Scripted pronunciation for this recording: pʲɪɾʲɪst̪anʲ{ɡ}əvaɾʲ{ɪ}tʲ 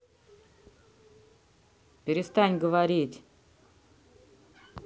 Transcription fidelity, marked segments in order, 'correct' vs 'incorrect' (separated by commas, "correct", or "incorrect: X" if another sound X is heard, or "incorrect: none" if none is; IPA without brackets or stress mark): correct, incorrect: i